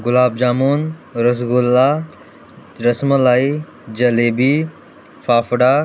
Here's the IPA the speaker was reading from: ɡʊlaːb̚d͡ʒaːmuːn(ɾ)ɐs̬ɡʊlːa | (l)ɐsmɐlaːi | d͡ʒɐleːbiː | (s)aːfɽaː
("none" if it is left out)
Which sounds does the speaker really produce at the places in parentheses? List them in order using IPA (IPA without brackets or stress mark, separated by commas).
ɾ, ɾ, f